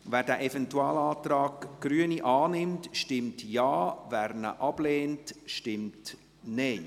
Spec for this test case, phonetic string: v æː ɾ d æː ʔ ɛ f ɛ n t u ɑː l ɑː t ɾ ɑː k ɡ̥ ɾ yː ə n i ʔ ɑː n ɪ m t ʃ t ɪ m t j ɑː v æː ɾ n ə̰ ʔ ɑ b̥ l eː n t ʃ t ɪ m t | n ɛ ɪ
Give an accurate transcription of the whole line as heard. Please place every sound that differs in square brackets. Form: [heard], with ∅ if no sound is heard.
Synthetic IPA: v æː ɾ d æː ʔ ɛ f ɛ n t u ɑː l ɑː t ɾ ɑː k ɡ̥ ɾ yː ə n i ʔ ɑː n ɪ m t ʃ t ɪ m t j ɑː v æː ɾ n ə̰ ʔ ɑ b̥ l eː n t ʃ t ɪ m t | n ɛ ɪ